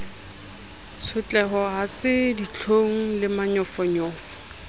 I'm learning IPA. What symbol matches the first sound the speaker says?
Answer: t͡sʰ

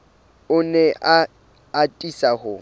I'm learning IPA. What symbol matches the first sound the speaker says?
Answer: ʊ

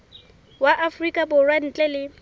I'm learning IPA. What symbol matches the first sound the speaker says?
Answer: w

